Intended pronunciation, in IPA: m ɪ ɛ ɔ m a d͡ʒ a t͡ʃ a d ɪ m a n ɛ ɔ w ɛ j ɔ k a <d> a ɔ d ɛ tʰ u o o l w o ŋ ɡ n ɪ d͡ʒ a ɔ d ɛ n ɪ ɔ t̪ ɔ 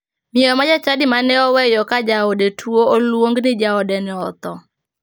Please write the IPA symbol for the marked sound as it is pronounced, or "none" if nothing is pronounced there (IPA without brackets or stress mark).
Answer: d͡ʒ